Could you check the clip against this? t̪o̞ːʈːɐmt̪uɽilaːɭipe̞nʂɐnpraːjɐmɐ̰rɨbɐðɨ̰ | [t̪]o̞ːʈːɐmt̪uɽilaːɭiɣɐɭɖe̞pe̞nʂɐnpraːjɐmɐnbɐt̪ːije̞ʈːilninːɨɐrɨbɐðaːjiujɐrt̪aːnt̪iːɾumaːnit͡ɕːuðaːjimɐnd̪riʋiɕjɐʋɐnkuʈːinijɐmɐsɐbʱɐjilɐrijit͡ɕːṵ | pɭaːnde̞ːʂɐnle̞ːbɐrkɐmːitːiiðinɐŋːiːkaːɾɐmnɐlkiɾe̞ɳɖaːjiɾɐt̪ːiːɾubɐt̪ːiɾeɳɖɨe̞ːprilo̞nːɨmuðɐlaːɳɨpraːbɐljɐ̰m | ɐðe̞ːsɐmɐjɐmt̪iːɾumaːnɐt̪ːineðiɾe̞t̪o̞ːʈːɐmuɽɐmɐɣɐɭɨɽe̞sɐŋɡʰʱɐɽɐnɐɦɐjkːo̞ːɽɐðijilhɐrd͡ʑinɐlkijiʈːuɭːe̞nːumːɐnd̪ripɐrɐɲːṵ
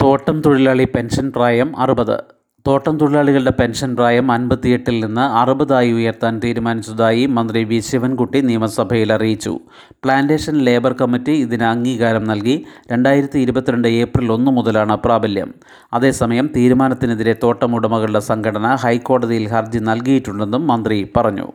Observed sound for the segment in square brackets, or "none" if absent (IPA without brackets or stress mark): t̪